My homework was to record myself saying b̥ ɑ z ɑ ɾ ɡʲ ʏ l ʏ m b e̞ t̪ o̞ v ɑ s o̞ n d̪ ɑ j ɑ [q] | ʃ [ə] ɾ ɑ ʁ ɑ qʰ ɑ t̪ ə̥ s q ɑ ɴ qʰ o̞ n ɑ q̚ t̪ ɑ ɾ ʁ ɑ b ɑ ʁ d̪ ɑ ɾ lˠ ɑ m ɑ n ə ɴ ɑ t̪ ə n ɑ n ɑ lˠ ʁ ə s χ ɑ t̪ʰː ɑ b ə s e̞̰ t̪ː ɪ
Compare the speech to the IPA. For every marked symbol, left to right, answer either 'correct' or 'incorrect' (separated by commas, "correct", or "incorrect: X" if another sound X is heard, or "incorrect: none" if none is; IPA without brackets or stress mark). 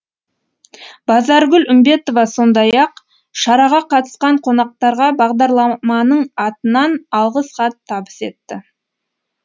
correct, incorrect: ɑ